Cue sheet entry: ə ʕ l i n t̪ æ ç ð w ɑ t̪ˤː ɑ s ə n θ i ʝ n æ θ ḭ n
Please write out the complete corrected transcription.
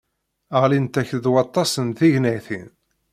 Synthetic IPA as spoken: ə ʁ l i n t̪ æ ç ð w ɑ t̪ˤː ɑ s ə n θ i ʝ n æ θ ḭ n